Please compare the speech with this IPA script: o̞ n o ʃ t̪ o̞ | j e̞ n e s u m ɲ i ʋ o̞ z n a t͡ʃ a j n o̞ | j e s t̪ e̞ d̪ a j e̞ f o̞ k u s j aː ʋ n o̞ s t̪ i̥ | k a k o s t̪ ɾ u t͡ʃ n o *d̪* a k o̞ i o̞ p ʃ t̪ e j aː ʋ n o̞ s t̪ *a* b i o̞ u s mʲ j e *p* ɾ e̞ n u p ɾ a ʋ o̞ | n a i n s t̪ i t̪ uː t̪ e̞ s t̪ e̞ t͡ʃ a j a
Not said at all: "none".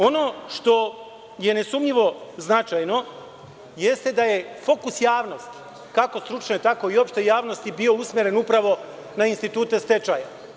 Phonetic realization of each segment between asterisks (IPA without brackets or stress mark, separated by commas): t̪, i, none